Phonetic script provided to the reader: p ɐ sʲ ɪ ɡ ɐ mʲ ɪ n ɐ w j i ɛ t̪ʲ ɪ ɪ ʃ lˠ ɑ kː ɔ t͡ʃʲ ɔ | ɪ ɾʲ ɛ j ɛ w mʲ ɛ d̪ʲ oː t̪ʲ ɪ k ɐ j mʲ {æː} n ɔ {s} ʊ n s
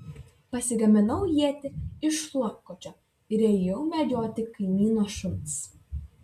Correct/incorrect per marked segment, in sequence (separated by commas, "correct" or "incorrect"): incorrect, incorrect